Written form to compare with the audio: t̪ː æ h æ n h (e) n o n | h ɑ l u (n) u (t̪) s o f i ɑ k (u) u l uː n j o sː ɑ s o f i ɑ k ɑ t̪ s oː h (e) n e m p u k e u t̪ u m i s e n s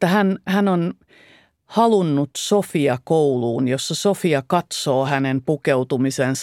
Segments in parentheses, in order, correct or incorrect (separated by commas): incorrect, incorrect, correct, incorrect, incorrect